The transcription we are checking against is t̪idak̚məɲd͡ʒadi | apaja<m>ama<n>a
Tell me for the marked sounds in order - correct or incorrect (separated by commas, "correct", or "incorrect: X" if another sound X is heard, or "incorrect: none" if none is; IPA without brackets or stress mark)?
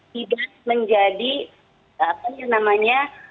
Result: incorrect: n, incorrect: ɲ